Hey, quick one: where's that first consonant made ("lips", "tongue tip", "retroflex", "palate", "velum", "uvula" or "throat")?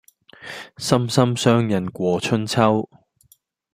tongue tip